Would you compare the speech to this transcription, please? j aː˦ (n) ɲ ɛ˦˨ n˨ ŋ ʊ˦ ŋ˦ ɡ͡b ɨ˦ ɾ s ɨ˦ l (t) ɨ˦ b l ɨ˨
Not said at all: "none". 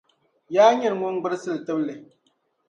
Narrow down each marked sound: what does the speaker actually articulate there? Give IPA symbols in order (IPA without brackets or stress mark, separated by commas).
none, t